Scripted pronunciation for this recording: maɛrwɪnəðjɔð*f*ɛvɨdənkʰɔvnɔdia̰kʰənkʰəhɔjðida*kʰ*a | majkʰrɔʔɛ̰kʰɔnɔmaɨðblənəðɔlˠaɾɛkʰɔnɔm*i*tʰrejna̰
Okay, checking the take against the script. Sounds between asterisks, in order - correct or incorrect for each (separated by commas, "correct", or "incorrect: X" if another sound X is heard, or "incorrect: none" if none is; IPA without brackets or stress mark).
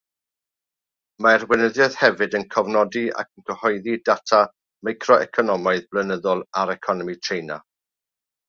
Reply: incorrect: h, incorrect: tʰ, correct